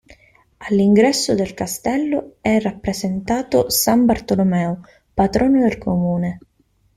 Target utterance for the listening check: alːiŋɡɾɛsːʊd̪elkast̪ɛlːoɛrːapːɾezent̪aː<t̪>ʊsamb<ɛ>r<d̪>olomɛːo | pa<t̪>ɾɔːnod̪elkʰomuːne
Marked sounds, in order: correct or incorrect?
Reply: correct, incorrect: a, incorrect: t̪, correct

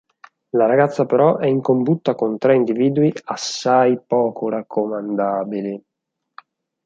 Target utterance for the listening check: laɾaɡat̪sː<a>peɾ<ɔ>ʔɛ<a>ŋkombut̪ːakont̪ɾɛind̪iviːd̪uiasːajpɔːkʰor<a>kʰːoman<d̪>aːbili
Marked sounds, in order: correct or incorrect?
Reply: correct, correct, incorrect: i, correct, correct

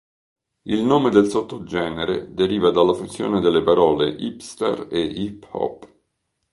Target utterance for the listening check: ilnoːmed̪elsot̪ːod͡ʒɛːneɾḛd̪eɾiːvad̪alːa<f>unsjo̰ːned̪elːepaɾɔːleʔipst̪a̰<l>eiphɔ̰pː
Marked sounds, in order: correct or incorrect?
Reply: correct, incorrect: r

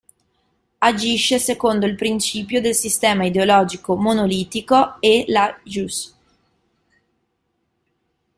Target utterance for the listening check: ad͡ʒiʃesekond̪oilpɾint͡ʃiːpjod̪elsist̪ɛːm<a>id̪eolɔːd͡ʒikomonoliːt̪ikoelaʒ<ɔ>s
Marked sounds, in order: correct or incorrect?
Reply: correct, incorrect: u

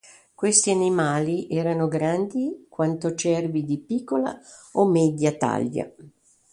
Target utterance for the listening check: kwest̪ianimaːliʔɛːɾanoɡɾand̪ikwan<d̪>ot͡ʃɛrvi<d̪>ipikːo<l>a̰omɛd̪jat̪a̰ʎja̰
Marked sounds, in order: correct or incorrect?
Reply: incorrect: t̪, correct, correct

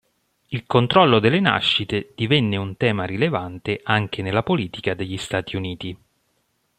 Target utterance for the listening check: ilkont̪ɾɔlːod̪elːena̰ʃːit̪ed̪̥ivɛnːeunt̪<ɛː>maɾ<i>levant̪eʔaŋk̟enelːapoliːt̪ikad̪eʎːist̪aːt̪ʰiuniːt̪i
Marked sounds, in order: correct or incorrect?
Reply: correct, correct

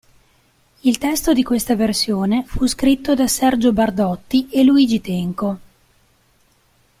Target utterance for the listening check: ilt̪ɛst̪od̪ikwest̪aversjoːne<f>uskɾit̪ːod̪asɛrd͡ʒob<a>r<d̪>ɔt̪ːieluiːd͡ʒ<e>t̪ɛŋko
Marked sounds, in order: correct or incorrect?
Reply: correct, correct, correct, incorrect: i

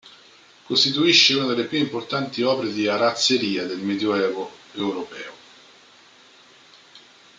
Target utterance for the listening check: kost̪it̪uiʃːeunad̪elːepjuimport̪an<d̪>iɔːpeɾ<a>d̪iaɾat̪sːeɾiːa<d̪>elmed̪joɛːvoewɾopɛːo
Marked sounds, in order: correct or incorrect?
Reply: incorrect: t̪, incorrect: e, correct

